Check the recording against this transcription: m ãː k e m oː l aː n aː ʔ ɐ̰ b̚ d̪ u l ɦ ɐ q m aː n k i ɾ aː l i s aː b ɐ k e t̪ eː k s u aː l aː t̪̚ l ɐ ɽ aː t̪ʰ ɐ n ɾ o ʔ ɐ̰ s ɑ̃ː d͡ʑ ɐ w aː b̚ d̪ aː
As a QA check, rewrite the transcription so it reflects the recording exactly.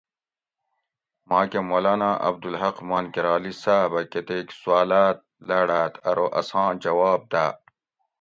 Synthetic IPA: m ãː k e m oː l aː n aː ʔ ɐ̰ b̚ d̪ u l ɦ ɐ q m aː n k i ɾ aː l i s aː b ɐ k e t̪ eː k s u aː l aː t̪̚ l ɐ ɽ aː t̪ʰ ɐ ɾ o ʔ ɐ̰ s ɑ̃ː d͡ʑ ɐ w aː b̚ d̪ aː